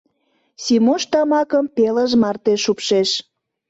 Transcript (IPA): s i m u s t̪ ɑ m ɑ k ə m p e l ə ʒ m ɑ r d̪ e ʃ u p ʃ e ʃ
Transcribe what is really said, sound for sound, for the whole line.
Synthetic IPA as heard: s i m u ʃ t̪ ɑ m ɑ k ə m p e l ə ʒ m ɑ r t̪ e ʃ u p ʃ e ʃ